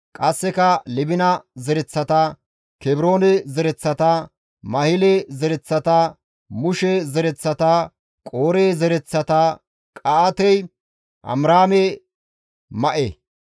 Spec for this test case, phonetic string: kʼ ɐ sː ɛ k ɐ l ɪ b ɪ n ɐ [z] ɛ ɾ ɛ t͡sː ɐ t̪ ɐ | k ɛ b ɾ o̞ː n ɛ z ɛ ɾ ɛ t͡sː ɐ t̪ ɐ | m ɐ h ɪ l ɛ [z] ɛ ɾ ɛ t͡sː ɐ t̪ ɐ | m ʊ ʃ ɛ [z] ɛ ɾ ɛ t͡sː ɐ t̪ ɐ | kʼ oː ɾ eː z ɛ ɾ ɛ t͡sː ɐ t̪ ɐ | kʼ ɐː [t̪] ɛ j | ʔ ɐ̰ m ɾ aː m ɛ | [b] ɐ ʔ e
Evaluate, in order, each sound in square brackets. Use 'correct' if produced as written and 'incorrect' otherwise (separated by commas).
correct, correct, correct, correct, incorrect